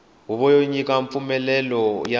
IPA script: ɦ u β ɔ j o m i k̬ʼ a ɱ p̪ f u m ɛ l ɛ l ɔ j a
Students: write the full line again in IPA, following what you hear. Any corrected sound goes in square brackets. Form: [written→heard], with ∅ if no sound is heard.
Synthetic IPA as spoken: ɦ u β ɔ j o [m→ɲ] i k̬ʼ a ɱ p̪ f u m ɛ l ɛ l ɔ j a